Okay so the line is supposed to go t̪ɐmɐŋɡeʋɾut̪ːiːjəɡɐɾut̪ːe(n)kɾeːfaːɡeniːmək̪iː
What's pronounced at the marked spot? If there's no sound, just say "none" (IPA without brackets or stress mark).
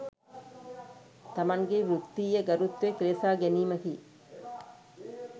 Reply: none